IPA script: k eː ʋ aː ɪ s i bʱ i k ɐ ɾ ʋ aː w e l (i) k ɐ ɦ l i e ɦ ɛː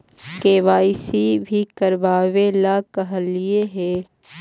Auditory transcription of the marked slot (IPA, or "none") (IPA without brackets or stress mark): a